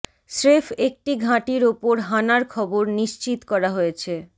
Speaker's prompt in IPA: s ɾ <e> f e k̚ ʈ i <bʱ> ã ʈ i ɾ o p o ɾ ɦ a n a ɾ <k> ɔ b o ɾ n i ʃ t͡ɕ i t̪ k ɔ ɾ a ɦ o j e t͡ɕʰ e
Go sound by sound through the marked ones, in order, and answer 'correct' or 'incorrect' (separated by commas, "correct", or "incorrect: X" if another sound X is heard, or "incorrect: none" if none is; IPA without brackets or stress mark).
correct, incorrect: ɡʱ, incorrect: kʰ